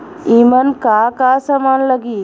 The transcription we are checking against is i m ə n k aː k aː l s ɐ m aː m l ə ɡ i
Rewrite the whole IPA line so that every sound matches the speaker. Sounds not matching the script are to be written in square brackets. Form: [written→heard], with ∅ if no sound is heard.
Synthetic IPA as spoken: i m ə n k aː k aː [l→∅] s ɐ m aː [m→n] l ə ɡ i